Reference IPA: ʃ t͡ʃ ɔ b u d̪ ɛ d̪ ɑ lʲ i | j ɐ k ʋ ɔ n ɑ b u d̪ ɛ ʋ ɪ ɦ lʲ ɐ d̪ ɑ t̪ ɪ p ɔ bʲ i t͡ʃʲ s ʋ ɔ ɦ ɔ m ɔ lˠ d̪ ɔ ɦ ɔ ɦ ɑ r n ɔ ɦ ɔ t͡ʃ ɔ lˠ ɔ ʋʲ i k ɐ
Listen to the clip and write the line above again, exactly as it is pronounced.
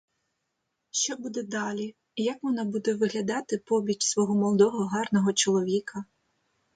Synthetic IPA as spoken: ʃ t͡ʃ ɔ b u d̪ ɛ d̪ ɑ lʲ i | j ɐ k ʋ ɔ n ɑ b u d̪ ɛ ʋ ɪ ɦ lʲ ɐ d̪ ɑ t̪ ɪ p ɔ bʲ i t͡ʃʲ s ʋ ɔ ɦ ɔ m ɔ lˠ d̪ ɔ ɦ ɔ ɦ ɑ r n ɔ ɦ ɔ t͡ʃ ɔ lˠ ɔ ʋʲ i k ɐ